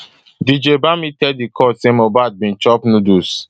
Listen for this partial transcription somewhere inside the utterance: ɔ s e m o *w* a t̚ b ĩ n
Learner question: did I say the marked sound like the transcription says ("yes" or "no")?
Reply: no